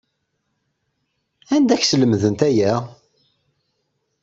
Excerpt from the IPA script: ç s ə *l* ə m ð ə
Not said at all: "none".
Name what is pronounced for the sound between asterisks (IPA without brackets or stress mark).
l